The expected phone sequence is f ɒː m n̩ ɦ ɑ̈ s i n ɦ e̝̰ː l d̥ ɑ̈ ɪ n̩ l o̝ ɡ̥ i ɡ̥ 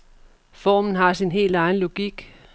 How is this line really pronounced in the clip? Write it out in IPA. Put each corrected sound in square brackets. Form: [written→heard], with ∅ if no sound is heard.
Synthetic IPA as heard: f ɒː m n̩ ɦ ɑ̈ s i n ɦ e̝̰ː l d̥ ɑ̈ ɪ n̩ l o̝ ɡ̥ i ɡ̥